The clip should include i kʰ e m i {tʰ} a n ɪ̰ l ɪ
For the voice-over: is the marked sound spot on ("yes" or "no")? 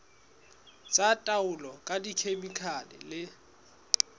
no